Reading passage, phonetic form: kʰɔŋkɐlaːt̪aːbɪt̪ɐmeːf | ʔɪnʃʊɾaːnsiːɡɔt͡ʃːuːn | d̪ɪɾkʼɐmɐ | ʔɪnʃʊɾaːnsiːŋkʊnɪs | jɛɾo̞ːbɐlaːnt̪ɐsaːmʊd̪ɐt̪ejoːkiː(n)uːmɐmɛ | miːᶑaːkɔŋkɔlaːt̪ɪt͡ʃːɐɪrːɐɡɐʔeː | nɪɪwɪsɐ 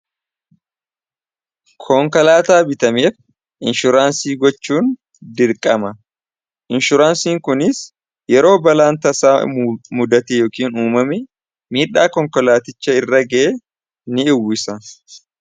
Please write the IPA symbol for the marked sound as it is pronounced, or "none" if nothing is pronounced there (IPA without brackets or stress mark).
n